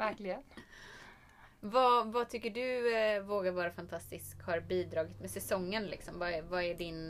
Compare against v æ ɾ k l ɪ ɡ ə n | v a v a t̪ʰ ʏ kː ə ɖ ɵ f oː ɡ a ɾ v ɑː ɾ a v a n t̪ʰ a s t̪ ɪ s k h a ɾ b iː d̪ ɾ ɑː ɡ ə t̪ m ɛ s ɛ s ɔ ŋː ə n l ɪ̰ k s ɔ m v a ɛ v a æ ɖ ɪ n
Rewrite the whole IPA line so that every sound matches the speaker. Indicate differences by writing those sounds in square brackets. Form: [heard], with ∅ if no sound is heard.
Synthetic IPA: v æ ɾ k l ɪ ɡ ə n | v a v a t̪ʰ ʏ kː ə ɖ ɵ [v] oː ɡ a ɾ v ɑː ɾ a [f] a n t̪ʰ a s t̪ ɪ s k h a ɾ b iː d̪ ɾ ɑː ɡ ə t̪ m ɛ s ɛ s ɔ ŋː ə n l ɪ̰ k s ɔ m v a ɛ v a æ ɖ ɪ n